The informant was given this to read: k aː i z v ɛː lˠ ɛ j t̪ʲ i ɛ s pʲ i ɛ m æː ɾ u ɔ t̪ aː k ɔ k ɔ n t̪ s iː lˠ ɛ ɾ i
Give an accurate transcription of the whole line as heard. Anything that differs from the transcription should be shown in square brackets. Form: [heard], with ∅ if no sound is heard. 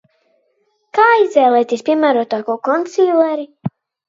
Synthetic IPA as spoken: k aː i z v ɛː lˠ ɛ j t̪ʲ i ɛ s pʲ i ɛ m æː ɾ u ɔ t̪ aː k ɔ k ɔ n t̪ s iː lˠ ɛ ɾ i